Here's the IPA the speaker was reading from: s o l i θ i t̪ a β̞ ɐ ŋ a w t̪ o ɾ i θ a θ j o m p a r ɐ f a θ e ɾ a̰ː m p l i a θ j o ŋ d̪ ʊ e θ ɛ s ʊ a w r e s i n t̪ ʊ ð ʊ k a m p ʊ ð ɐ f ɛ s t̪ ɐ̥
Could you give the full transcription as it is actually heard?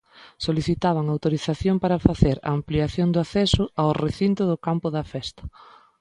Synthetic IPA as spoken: s o l i θ i t̪ a β̞ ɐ ŋ a w t̪ o ɾ i θ a θ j o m p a ɾ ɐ f a θ e ɾ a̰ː m p l i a θ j o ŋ d̪ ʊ a θ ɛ s ʊ a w r e θ i n t̪ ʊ ð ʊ k a m p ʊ ð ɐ f ɛ s t̪ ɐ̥